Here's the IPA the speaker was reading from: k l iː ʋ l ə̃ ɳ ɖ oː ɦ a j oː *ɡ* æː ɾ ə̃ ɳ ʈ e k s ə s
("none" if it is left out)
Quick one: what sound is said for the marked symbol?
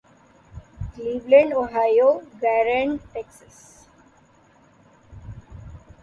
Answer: ɡ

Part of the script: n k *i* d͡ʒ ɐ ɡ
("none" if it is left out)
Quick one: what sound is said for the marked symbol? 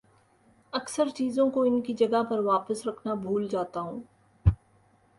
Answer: i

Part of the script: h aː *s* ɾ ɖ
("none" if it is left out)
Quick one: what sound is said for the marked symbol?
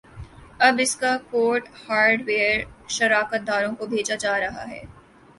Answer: none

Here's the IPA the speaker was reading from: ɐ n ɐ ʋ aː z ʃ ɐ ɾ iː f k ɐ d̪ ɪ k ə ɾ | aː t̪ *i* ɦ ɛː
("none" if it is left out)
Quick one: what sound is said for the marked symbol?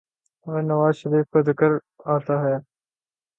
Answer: a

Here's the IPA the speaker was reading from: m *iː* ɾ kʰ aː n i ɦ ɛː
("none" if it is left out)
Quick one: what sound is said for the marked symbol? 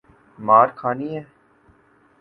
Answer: aː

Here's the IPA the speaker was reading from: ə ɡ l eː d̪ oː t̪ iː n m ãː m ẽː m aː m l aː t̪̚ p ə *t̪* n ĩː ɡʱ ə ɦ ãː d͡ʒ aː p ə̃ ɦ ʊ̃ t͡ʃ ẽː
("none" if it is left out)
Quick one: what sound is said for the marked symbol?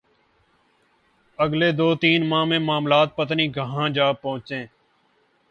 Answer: t̪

